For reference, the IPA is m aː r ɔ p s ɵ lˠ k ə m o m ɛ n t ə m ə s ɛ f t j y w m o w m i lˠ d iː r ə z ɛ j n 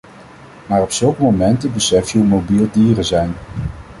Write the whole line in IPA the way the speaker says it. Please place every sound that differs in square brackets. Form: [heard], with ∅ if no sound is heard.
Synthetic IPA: m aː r ɔ p s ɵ lˠ k ə m o m ɛ n t ə [b] ə s ɛ f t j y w m o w [b] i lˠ d iː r ə z ɛ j n

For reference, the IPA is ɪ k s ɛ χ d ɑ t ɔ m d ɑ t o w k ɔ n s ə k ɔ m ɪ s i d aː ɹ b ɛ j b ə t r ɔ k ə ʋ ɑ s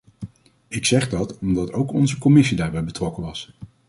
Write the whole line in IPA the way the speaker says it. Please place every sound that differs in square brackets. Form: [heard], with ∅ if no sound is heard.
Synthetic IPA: ɪ k s ɛ χ d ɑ t ɔ m d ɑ t o w k ɔ n [z] ə k ɔ m ɪ s i d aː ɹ b ɛ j b ə t r ɔ k ə ʋ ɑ s

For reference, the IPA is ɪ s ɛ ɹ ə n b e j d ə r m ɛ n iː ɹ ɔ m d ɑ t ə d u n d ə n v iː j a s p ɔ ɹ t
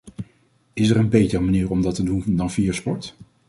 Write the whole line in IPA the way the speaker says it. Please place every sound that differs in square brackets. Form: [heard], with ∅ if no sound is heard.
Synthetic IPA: ɪ s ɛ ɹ ə n b e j [t] ə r m [a] n iː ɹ ɔ m d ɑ t ə d u n d [ɑ] n v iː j a s p ɔ ɹ t

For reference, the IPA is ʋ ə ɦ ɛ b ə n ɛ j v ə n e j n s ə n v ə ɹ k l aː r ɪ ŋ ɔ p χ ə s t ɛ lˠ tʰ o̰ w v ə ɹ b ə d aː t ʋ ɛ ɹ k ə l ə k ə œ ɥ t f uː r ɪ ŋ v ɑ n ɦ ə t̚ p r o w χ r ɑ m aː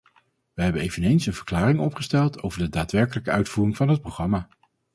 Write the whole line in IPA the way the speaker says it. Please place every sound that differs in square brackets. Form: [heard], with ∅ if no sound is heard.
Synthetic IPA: ʋ ə ɦ ɛ b ə n [e] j v ə n e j n s ə n v ə ɹ k l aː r ɪ ŋ ɔ p χ ə s t ɛ lˠ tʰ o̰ w v ə ɹ [d] ə d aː t ʋ ɛ ɹ k ə l ə k ə œ ɥ t f uː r ɪ ŋ v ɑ n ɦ ə t̚ p r o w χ r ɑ m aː

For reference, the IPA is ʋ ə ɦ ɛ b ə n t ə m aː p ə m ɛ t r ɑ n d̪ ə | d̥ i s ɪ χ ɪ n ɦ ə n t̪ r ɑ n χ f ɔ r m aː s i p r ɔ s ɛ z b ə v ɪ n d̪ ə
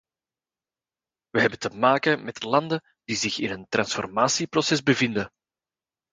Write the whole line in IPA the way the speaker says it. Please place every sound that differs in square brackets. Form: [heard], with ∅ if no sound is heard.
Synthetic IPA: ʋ ə ɦ ɛ b ə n t ə m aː [k] ə m ɛ t [l] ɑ n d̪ ə | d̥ i [z] ɪ [x] ɪ n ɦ ə n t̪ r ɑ n [s] f ɔ r m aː s i p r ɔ s ɛ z b ə v ɪ n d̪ ə

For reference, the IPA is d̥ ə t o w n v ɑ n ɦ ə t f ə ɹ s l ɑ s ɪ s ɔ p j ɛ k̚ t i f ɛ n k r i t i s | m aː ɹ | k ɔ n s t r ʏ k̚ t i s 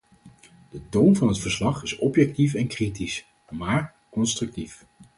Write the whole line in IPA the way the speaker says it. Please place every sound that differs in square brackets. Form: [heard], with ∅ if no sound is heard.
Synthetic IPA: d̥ ə t o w n v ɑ n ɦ ə t f ə ɹ s l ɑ [χ] ɪ s ɔ p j ɛ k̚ t i f ɛ n k r i t i s | m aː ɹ | k ɔ n s t r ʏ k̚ t i [f]

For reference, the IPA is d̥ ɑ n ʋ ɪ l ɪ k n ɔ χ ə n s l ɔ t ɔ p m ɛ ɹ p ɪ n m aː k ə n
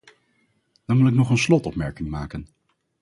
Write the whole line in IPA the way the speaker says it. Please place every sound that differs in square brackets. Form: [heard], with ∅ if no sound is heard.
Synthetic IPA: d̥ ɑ n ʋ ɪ l ɪ k n ɔ χ ə n s l ɔ t ɔ p m ɛ ɹ [k] ɪ [ŋ] m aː k ə n

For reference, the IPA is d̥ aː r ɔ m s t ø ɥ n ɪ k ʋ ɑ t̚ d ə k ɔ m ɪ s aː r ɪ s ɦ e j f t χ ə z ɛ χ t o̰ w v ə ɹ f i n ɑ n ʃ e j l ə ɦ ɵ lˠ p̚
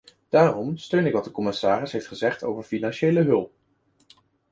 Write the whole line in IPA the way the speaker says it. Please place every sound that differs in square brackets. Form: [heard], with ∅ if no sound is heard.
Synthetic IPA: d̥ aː r ɔ m s t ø ɥ n ɪ k ʋ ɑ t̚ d ə k ɔ m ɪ s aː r ɪ s ɦ e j f t χ ə z ɛ χ t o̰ w v ə ɹ f i n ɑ n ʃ e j l ə ɦ ɵ lˠ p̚

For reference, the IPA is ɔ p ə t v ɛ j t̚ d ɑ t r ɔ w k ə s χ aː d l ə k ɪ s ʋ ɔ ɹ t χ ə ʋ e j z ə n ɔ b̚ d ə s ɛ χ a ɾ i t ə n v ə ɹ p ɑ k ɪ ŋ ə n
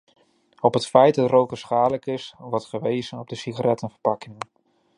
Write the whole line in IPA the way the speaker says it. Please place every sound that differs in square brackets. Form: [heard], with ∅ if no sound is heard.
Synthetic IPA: ɔ p ə t [f] ɛ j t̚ d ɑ t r [o] w k ə s χ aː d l ə k ɪ s ʋ ɔ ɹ t χ ə ʋ e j z ə n ɔ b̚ d ə s [i] χ a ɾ [ɛ] t ə n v ə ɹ p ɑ k ɪ ŋ ə n

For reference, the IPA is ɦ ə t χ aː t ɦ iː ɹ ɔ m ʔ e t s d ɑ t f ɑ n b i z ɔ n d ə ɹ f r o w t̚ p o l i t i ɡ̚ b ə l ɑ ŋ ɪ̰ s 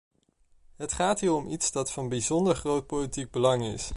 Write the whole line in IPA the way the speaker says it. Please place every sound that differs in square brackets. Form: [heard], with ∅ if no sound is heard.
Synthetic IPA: ɦ ə t χ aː t ɦ iː ɹ ɔ m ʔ [i] t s d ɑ t f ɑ n b i z ɔ n d ə ɹ [χ] r o w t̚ p o l i t i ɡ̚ b ə l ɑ ŋ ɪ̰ s

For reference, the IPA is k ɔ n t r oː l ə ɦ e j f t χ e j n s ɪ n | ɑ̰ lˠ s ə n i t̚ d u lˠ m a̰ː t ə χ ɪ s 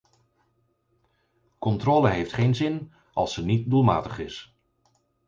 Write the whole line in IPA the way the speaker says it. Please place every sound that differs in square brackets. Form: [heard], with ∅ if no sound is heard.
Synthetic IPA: k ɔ n t r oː l ə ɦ e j f t χ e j n [z] ɪ n | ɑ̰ lˠ s ə n i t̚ d u lˠ m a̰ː t ə χ ɪ s

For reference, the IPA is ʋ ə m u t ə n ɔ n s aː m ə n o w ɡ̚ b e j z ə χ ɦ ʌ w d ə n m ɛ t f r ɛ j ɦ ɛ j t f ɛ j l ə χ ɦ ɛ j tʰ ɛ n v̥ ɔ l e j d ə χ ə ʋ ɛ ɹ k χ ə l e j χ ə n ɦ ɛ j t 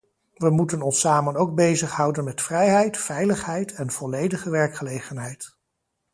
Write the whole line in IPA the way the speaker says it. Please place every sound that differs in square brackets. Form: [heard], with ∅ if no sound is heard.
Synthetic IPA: ʋ ə m u t ə n ɔ n s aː m ə n o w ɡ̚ b e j z ə χ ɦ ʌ w d ə n m ɛ t f r ɛ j ɦ ɛ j t f ɛ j l ə χ ɦ ɛ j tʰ ɛ n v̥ ɔ l e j d ə χ ə ʋ ɛ ɹ k χ ə l e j χ ə n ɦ ɛ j t

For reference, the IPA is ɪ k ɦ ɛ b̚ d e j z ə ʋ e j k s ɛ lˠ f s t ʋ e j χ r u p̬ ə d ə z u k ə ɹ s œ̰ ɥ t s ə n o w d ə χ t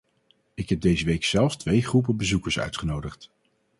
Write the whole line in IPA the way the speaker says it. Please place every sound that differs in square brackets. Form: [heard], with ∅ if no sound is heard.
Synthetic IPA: ɪ k ɦ ɛ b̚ d e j z ə ʋ e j k s ɛ lˠ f s t ʋ e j χ r u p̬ ə [b] ə z u k ə ɹ s œ̰ ɥ t [χ] ə n o w d ə χ t

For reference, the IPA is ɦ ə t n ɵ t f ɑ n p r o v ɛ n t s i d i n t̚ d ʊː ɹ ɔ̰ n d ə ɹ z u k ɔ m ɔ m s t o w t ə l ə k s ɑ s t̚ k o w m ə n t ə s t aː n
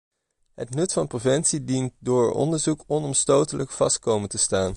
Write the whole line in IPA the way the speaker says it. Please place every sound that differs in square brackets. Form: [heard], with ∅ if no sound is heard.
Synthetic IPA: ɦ ə t n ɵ t f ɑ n p r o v ɛ n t s i d i n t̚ d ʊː ɹ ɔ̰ n d ə ɹ z u k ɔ [n] ɔ m s t o w t ə l ə k [f] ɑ s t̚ k o w m ə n t ə s t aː n

